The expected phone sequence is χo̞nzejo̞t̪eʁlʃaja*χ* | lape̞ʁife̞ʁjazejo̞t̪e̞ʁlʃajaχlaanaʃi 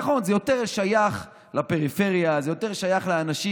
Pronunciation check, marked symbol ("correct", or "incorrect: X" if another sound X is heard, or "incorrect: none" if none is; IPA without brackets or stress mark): correct